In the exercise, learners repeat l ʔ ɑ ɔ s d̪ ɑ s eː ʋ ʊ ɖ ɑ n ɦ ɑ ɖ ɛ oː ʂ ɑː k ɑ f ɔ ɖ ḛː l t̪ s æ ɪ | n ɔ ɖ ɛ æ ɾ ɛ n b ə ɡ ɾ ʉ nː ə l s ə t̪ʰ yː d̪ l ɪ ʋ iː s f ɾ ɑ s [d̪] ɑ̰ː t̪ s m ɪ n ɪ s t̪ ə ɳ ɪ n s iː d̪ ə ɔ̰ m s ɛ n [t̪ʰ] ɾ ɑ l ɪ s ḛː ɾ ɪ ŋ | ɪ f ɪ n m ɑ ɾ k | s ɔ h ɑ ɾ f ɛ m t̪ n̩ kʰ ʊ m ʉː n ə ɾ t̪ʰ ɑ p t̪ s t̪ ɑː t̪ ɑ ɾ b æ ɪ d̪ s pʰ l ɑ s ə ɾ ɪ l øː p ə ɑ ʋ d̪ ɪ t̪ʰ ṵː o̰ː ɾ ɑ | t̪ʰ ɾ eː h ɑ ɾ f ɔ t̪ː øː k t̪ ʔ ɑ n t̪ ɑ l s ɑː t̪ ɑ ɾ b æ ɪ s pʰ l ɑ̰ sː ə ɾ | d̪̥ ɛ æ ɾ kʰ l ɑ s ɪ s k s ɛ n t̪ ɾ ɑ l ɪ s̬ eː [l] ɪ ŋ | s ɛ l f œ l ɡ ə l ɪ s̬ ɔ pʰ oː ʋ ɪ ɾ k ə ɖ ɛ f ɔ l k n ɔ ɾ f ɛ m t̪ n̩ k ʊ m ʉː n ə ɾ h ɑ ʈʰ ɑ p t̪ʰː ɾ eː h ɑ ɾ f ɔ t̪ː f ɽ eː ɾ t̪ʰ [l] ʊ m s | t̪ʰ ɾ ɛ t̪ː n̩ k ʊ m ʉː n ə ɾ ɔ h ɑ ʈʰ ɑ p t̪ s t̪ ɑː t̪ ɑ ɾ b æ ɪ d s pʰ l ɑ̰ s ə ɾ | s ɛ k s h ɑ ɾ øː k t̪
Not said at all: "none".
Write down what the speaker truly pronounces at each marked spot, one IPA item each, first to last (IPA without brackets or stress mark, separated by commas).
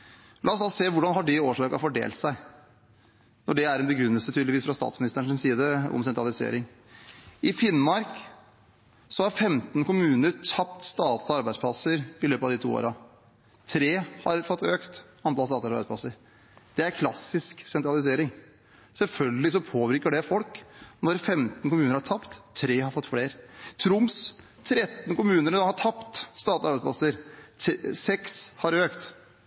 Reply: t̪, t̪, ɾ, ɾ